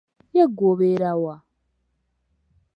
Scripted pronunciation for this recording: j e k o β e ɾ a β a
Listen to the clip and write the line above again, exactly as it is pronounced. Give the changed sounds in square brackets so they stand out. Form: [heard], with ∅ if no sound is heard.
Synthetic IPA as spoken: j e [ɡ] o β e ɾ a [w] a